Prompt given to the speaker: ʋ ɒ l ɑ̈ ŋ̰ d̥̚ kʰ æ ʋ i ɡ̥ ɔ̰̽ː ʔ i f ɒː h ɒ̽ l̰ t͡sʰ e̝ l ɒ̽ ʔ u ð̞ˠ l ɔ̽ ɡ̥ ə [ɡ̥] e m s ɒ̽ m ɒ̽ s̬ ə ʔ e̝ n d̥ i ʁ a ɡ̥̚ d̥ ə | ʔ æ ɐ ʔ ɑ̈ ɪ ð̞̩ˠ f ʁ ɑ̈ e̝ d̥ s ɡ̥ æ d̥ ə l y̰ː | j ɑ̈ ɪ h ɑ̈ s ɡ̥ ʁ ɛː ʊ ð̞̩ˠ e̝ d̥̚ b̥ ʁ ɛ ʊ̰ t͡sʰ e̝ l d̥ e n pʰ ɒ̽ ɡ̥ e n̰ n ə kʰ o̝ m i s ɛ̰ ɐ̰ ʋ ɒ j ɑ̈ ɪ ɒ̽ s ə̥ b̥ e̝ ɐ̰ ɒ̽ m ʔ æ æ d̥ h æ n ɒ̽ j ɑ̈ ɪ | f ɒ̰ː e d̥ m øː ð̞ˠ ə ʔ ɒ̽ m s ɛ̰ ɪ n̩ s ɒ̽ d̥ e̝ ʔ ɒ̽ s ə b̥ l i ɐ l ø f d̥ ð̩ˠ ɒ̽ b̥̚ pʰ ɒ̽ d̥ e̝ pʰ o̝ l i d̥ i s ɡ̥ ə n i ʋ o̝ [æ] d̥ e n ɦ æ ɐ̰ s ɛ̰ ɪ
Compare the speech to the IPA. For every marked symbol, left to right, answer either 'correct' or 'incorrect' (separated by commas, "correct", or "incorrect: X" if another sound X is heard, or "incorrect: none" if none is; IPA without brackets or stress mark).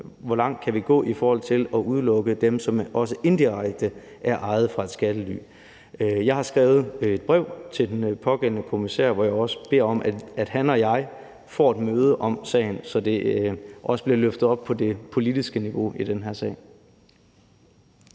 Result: incorrect: d̥, incorrect: i